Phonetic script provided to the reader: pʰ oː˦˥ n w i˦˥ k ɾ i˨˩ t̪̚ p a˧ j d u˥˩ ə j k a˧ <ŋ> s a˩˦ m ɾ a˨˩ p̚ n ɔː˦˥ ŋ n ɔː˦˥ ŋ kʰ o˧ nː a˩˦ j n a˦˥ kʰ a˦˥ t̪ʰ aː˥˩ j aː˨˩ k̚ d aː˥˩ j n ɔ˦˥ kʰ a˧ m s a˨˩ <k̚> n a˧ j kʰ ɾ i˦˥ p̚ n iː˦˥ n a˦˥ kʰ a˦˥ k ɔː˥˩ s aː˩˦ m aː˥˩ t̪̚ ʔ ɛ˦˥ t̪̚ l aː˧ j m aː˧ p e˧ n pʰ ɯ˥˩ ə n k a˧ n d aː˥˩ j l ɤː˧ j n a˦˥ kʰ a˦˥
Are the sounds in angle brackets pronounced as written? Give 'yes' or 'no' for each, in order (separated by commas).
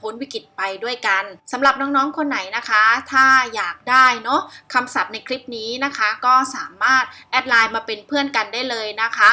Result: no, no